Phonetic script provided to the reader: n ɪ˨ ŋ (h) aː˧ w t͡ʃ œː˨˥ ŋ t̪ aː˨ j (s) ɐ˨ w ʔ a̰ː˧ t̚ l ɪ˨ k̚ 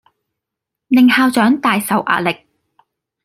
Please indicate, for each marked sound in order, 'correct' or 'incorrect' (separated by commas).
correct, correct